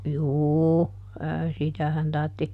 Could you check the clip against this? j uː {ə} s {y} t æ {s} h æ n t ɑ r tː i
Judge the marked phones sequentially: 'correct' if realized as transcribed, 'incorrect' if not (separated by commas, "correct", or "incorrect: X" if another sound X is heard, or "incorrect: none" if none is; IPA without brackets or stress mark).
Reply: correct, incorrect: i, incorrect: none